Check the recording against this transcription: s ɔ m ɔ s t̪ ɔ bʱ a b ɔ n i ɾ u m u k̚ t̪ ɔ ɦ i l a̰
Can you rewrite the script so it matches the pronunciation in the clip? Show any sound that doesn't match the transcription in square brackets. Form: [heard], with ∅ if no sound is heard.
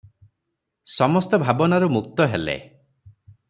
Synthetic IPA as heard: s ɔ m ɔ s t̪ ɔ bʱ a b ɔ n [a] ɾ u m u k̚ t̪ ɔ ɦ [e] l [ḛ]